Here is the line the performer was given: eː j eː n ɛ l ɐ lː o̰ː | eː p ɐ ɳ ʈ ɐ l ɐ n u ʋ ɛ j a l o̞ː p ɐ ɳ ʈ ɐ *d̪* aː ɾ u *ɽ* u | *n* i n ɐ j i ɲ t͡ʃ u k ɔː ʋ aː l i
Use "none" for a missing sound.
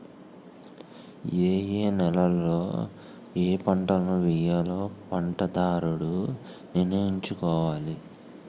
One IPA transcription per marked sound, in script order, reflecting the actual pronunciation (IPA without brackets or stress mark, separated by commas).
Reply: d̪, ɽ, n